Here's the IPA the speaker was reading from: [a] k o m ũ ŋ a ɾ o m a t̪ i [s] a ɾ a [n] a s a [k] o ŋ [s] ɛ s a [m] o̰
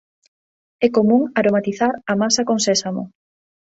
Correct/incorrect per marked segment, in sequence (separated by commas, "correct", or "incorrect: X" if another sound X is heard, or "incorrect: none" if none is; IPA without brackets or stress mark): incorrect: ɛ, incorrect: θ, incorrect: m, correct, correct, correct